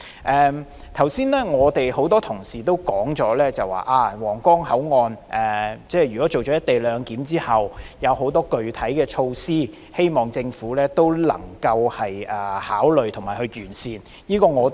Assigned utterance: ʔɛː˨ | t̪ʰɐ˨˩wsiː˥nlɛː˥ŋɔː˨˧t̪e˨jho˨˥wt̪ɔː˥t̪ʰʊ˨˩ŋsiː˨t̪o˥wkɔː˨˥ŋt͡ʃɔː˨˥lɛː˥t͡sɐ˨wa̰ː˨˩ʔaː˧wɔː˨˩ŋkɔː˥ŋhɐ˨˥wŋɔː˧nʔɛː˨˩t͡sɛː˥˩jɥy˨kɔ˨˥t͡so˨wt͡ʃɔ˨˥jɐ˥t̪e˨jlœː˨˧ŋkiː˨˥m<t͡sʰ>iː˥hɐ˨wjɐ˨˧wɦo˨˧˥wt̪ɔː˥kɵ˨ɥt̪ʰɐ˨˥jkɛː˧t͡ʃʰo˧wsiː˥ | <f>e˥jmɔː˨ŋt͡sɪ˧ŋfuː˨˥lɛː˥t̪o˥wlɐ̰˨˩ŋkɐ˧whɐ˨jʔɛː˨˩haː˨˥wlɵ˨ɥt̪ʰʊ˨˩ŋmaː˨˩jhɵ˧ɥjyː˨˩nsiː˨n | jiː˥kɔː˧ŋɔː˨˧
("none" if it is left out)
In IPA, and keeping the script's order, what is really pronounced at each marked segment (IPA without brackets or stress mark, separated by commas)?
t͡s, h